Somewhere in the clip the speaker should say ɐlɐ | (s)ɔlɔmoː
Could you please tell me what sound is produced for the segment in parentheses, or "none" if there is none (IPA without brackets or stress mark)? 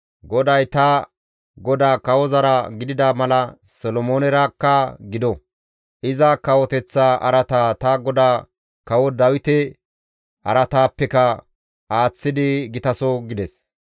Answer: s